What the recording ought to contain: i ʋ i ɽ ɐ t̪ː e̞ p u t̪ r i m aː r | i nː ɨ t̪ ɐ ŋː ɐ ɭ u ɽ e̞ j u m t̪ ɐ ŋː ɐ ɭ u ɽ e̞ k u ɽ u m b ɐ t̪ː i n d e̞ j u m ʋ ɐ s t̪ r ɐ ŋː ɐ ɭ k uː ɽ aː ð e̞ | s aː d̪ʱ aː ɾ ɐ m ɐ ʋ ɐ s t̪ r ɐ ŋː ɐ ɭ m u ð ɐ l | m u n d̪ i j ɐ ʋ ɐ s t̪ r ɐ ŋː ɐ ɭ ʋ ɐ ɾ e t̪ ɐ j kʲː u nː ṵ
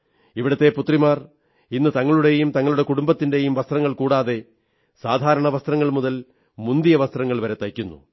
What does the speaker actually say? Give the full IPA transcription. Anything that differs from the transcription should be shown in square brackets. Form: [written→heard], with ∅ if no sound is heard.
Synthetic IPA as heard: i ʋ i ɽ ɐ t̪ː e̞ p u t̪ r i m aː r | i nː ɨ t̪ ɐ ŋː ɐ ɭ u ɽ e̞ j u m t̪ ɐ ŋː ɐ ɭ u ɽ e̞ k u ɽ u m b ɐ t̪ː i n d e̞ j u m ʋ ɐ s t̪ r ɐ ŋː ɐ ɭ k uː ɽ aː ð e̞ | s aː d̪ʱ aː ɾ ɐ [m→ɳ] ɐ ʋ ɐ s t̪ r ɐ ŋː ɐ ɭ m u ð ɐ l | m u n d̪ i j ɐ ʋ ɐ s t̪ r ɐ ŋː ɐ ɭ ʋ ɐ ɾ e t̪ ɐ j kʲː u nː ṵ